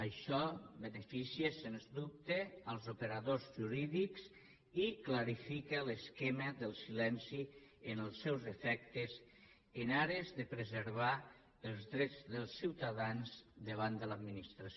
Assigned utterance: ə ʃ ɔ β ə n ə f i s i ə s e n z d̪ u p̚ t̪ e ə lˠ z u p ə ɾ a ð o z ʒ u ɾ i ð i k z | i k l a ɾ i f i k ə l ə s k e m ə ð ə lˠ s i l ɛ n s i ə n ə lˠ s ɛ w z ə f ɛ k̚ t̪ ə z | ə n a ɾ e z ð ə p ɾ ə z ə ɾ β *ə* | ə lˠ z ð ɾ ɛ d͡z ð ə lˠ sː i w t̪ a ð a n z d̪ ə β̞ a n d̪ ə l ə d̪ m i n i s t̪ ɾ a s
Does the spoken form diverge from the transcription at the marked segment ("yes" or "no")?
yes